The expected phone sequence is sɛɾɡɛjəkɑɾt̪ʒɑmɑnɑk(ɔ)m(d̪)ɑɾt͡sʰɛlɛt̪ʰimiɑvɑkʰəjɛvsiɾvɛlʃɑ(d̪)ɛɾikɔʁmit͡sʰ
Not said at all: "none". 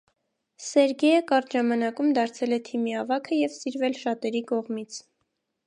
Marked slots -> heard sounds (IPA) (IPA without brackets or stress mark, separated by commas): u, d̪, t̪